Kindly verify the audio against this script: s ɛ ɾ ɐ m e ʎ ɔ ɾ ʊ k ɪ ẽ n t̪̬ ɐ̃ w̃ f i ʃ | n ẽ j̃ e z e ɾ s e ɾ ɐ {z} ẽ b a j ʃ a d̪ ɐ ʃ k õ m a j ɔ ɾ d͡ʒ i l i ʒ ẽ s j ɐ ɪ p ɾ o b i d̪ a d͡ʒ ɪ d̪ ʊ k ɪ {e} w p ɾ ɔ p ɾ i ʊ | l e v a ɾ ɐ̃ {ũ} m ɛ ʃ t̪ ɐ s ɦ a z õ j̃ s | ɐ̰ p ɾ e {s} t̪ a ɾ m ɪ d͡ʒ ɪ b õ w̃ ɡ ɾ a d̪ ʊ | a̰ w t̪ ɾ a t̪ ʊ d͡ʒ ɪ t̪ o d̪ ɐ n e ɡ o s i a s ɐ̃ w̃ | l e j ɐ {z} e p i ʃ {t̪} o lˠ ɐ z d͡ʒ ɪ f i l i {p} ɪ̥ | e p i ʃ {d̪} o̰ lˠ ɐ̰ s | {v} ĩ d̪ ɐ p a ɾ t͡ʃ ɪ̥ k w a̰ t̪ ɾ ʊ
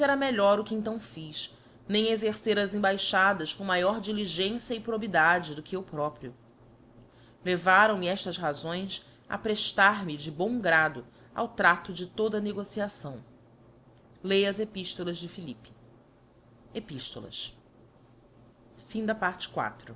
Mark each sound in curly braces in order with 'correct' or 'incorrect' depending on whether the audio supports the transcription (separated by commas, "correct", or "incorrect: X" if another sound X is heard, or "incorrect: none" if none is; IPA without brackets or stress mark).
correct, correct, incorrect: w̃, incorrect: ʃ, correct, correct, correct, incorrect: t̪, incorrect: f